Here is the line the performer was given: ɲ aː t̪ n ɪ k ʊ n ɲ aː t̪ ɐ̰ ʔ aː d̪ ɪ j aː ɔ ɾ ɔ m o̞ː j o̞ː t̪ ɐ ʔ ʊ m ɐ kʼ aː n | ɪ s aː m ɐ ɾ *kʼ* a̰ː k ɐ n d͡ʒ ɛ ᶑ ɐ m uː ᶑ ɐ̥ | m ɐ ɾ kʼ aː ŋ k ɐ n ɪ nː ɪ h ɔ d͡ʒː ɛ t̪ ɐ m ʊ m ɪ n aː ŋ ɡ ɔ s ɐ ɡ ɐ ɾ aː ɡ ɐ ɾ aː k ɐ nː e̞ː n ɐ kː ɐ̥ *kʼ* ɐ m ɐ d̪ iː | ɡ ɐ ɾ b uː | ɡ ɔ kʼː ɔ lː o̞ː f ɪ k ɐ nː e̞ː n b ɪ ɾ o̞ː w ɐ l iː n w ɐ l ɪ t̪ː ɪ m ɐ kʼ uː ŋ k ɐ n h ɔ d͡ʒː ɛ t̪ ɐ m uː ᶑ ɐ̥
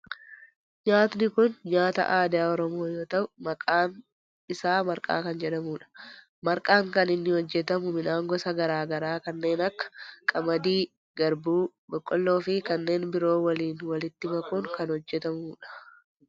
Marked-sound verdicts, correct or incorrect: correct, correct

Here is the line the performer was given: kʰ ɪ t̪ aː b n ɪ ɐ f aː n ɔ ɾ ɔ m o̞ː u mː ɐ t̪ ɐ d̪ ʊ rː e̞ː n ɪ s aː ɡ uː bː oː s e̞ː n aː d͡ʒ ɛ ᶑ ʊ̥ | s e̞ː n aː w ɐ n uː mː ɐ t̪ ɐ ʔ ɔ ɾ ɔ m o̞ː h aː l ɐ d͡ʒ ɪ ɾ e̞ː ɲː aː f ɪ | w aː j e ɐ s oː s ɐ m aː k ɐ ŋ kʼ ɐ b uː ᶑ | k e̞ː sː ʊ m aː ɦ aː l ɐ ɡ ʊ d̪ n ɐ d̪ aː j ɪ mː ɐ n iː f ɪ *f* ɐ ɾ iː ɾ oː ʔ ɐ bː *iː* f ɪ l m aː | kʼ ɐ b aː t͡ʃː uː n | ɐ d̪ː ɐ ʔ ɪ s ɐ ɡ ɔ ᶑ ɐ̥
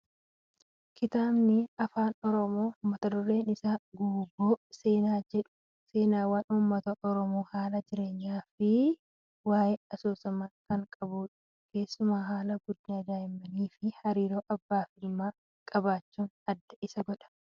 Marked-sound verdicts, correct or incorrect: incorrect: h, incorrect: aː

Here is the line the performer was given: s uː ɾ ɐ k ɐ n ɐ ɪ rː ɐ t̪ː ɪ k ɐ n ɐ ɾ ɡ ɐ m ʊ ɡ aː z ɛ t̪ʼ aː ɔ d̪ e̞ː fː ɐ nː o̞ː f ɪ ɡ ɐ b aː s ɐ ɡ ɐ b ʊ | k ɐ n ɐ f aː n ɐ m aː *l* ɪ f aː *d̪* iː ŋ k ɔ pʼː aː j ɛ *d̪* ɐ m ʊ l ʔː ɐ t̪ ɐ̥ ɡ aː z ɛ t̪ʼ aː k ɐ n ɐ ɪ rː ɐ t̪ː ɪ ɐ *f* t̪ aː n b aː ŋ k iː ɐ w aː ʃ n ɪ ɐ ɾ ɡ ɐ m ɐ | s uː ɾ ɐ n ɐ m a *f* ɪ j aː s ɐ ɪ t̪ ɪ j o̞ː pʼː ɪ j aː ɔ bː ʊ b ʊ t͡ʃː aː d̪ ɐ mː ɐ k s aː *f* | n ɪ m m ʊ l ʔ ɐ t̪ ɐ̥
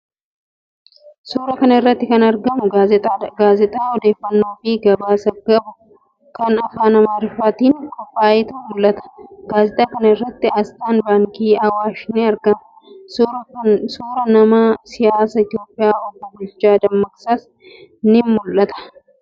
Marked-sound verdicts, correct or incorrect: incorrect: ɾ, incorrect: t̪, incorrect: t̪, incorrect: s, incorrect: s, incorrect: s

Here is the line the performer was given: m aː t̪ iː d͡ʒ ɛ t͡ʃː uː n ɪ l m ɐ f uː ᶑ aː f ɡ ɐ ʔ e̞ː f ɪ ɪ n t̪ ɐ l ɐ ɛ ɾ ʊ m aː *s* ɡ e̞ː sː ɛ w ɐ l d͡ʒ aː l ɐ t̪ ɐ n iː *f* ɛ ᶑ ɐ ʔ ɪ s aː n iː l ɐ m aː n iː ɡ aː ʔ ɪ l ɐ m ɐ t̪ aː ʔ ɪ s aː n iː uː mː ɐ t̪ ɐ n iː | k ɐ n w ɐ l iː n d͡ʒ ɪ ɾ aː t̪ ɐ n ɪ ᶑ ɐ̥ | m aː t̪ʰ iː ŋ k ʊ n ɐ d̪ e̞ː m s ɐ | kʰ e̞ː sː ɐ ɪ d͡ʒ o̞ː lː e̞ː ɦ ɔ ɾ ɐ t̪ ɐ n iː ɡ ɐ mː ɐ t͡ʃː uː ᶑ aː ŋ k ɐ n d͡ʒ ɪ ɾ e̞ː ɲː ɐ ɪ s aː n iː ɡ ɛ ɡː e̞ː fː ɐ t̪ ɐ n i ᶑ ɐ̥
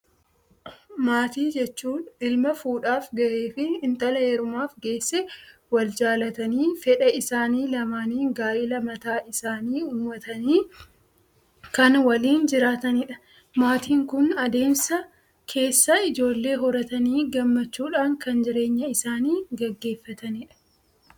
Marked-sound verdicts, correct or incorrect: incorrect: f, correct

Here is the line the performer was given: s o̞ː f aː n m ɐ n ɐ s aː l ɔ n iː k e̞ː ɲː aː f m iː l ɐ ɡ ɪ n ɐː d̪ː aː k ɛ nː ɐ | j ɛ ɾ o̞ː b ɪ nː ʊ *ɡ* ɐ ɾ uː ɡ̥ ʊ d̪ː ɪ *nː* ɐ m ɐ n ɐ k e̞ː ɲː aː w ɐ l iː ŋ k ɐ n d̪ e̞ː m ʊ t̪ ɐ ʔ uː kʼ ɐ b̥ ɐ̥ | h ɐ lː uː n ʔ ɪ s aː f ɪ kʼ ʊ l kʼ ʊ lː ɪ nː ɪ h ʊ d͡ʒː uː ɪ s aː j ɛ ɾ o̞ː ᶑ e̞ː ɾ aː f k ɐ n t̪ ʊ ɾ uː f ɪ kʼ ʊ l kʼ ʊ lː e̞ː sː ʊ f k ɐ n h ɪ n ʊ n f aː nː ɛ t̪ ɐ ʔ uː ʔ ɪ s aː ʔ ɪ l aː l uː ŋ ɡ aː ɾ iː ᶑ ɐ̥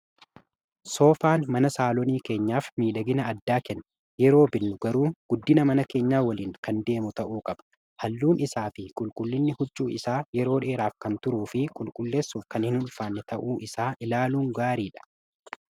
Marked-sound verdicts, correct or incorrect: correct, incorrect: n

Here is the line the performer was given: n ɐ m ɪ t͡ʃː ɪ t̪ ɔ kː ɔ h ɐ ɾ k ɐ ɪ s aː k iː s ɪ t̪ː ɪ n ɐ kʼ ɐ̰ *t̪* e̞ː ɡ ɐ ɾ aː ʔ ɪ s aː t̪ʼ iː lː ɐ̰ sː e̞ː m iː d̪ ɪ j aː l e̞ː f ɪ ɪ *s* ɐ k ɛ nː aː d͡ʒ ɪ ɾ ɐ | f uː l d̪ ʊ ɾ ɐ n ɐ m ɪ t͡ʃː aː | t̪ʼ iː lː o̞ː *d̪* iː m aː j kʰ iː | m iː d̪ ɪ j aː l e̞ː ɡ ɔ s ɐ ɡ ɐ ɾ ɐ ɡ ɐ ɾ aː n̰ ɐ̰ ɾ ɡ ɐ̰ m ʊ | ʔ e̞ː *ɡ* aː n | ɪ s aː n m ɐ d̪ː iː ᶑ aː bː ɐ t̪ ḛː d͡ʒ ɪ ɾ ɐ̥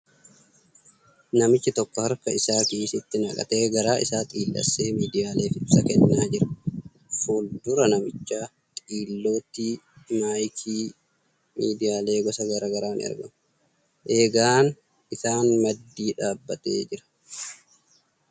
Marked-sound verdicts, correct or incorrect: correct, correct, incorrect: t̪, correct

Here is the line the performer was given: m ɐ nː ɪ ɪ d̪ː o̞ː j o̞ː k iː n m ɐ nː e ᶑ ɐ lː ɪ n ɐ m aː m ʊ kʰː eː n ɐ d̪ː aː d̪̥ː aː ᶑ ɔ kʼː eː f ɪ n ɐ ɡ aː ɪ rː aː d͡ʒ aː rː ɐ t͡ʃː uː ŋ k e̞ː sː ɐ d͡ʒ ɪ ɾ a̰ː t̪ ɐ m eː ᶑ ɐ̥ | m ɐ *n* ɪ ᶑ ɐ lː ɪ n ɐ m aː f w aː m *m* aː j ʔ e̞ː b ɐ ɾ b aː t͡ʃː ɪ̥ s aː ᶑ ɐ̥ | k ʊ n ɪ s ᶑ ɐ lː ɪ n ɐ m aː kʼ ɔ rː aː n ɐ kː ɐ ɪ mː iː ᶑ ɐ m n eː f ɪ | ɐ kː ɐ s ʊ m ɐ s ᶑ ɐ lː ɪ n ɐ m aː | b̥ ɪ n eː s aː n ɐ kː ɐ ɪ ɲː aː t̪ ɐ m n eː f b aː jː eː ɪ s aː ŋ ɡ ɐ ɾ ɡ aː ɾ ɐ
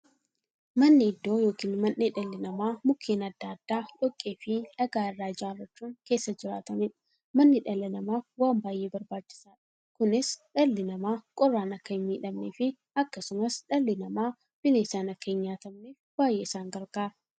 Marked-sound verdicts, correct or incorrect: incorrect: nː, incorrect: b

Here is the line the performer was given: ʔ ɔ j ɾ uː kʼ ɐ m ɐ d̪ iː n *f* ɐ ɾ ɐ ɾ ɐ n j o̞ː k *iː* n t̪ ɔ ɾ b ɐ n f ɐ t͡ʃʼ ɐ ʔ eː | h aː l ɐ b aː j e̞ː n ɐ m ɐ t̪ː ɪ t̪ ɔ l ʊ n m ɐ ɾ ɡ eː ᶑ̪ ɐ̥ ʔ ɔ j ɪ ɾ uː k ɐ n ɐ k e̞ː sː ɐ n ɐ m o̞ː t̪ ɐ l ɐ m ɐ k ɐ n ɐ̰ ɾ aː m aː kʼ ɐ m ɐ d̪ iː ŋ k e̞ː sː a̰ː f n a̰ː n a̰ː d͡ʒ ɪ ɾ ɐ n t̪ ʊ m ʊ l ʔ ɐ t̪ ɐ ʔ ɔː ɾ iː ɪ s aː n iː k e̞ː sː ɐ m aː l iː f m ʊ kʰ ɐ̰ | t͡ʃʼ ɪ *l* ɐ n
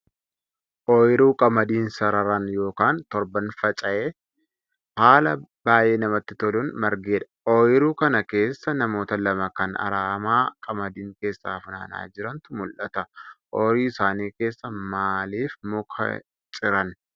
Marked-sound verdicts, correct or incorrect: incorrect: s, incorrect: aː, incorrect: ɾ

